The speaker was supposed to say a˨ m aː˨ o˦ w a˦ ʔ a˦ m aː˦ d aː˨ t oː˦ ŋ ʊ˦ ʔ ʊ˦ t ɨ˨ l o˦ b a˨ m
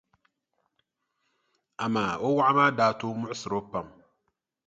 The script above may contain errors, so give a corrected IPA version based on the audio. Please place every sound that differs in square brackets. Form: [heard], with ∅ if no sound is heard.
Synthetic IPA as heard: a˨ m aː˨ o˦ w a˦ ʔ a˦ m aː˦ d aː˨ t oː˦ [m] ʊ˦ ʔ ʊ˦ [s] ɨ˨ [ɾ] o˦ [p] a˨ m